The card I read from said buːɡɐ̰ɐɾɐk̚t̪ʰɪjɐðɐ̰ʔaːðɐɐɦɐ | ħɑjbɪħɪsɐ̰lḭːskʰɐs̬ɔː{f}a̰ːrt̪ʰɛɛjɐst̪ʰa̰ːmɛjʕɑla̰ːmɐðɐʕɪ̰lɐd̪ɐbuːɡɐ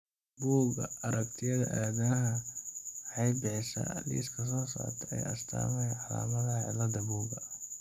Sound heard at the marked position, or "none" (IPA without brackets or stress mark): s